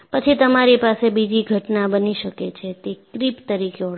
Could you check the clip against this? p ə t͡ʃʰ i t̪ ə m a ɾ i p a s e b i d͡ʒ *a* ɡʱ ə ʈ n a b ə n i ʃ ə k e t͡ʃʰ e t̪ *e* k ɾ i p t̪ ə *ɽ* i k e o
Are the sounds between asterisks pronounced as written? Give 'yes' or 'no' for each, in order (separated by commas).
no, yes, no